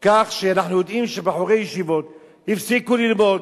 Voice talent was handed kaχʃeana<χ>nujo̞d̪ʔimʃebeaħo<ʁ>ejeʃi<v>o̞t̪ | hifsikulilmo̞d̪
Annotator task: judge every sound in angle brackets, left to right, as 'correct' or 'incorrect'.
incorrect, correct, correct

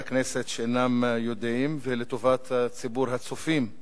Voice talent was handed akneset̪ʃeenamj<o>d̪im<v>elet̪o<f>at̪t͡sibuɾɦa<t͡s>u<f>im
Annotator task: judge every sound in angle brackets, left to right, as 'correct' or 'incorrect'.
correct, correct, incorrect, correct, correct

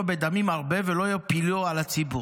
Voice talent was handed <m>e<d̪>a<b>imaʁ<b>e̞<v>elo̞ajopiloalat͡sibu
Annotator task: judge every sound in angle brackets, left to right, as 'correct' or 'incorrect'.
incorrect, correct, incorrect, correct, correct

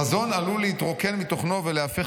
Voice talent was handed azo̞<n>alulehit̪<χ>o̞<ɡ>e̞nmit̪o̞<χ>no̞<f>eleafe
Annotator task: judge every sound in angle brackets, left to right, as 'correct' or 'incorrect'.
correct, incorrect, incorrect, correct, incorrect

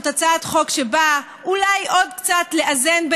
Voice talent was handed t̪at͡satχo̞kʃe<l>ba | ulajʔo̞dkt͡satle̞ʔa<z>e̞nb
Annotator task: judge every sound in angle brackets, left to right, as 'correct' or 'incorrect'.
incorrect, correct

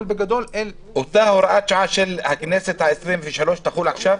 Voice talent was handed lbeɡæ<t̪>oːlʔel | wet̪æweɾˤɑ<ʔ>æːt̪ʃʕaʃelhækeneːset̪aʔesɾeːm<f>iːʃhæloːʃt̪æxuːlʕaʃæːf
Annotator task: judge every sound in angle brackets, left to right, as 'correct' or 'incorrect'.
incorrect, correct, correct

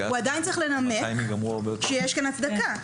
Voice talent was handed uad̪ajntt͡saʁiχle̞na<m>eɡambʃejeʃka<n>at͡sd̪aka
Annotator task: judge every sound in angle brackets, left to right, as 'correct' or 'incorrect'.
correct, correct

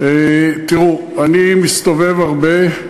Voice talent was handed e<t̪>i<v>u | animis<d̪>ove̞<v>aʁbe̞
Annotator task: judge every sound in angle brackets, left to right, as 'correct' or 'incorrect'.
correct, incorrect, incorrect, correct

